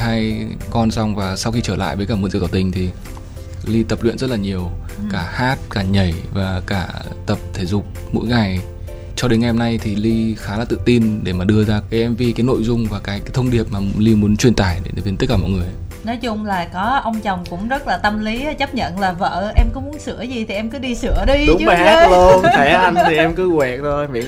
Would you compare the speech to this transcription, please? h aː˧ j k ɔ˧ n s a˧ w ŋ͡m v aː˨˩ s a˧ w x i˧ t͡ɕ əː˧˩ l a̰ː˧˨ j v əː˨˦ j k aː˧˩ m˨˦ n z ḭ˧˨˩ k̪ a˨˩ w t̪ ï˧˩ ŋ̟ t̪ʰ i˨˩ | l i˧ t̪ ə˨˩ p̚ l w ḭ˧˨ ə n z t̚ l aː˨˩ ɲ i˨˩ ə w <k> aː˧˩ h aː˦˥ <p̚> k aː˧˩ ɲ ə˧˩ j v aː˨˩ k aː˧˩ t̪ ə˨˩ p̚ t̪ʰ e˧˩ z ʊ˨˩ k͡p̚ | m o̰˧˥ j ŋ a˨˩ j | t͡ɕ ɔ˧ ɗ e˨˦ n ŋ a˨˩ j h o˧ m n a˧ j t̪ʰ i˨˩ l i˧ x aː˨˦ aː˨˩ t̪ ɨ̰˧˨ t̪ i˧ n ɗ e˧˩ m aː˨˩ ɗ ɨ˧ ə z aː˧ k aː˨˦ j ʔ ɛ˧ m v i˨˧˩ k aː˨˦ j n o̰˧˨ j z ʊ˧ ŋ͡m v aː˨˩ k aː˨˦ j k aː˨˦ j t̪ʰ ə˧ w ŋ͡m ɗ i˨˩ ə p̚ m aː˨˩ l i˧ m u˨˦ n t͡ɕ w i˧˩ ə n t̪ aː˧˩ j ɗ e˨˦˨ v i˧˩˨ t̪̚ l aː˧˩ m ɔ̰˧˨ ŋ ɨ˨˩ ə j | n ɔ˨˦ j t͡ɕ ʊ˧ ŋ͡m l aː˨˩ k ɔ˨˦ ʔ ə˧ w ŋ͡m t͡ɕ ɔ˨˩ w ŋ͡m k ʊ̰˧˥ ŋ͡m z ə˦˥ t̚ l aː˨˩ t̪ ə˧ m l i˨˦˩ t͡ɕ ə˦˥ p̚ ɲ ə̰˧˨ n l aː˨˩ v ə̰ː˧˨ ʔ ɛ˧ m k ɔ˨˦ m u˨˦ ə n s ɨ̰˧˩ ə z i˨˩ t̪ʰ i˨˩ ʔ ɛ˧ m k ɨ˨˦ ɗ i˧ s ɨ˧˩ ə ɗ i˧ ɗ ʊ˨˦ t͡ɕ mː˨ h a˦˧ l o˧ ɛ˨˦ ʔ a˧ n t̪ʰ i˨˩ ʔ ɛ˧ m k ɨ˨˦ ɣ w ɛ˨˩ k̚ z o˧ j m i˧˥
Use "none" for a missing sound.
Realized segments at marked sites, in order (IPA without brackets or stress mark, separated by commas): k, t̚